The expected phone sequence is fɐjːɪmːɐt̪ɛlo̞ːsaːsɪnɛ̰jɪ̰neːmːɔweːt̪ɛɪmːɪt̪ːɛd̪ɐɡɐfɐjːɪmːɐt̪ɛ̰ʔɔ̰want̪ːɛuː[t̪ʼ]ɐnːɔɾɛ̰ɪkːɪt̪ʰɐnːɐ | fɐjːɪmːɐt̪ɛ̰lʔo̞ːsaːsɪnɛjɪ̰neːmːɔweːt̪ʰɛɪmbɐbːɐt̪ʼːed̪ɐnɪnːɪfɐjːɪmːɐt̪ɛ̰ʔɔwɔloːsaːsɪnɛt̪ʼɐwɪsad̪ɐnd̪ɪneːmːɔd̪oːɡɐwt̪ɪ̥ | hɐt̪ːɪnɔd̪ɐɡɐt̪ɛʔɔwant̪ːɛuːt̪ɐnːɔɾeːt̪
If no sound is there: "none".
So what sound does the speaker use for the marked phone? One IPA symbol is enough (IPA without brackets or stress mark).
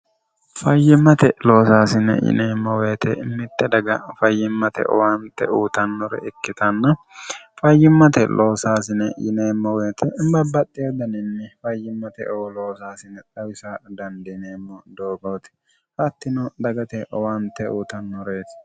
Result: t̪